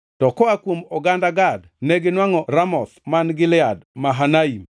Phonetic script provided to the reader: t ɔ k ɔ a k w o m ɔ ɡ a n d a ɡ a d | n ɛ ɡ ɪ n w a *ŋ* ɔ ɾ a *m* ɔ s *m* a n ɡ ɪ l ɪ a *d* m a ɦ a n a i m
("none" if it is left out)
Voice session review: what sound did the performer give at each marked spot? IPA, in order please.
ŋ, m, m, d

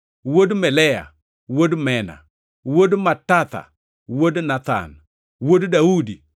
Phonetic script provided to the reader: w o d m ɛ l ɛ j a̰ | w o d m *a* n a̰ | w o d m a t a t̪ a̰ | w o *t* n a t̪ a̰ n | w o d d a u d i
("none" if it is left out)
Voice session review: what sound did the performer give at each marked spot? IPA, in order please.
ɛ, d

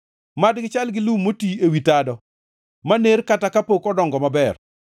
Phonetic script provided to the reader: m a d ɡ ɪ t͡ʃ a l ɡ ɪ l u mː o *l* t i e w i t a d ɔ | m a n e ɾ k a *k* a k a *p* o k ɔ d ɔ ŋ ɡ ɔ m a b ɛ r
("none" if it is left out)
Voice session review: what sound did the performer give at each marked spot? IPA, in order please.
none, t, p

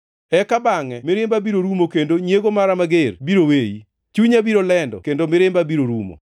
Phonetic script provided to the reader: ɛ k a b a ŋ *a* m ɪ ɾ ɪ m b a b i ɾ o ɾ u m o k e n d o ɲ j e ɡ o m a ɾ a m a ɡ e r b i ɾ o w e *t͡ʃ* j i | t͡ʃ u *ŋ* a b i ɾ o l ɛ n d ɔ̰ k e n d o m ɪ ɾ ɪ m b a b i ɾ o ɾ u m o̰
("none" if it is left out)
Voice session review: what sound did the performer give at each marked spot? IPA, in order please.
ɛ, none, ɲ

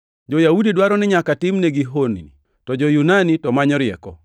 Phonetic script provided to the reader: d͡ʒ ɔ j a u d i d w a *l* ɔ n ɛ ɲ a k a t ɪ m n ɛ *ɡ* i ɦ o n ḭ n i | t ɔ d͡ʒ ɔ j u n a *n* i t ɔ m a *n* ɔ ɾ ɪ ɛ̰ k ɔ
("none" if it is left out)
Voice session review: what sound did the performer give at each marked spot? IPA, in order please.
ɾ, ɡ, n, ɲ

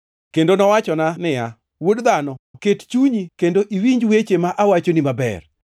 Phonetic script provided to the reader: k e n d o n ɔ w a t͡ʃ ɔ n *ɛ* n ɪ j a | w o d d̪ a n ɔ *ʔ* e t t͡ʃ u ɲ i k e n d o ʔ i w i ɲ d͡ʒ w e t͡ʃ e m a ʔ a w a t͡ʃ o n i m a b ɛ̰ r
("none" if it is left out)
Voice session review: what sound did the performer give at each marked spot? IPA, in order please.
a, k

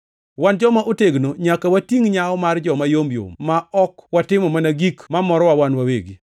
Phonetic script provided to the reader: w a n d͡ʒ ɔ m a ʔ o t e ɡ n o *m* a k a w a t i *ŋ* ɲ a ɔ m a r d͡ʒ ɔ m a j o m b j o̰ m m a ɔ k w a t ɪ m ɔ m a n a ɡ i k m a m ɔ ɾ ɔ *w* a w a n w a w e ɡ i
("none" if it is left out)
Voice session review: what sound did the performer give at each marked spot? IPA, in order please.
ɲ, ŋ, w

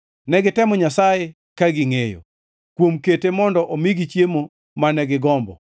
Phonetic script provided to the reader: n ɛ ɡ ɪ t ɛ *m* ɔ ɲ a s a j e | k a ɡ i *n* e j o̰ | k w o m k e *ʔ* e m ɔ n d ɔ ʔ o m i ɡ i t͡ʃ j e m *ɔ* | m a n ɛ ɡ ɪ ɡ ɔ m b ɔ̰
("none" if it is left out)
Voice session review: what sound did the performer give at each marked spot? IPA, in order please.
m, ŋ, t, o

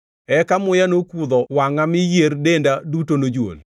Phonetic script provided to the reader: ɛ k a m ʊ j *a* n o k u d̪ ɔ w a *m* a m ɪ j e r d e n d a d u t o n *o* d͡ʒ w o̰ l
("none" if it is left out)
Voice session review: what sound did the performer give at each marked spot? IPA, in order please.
a, ŋ, o

